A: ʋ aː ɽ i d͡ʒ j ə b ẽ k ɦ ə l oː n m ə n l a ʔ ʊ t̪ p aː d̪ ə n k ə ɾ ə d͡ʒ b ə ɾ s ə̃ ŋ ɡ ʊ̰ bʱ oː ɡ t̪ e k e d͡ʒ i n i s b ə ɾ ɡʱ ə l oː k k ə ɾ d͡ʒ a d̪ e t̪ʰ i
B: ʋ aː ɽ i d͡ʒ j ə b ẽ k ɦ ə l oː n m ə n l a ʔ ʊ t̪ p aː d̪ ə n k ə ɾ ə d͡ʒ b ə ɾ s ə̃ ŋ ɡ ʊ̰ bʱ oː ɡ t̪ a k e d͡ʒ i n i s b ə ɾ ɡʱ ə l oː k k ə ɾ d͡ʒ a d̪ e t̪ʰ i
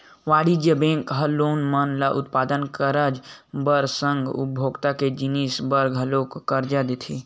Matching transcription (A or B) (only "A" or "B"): B